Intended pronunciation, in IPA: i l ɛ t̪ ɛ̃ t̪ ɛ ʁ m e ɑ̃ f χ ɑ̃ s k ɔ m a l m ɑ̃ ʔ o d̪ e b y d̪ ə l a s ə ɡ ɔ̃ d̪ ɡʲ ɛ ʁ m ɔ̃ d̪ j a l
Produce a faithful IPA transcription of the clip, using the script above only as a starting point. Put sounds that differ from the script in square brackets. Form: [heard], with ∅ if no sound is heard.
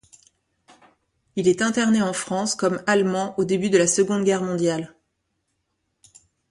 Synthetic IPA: i l ɛ t̪ ɛ̃ t̪ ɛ ʁ [n] e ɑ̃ f χ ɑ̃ s k ɔ m a l m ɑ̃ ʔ o d̪ e b y d̪ ə l a s ə ɡ ɔ̃ d̪ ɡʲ ɛ ʁ m ɔ̃ d̪ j a l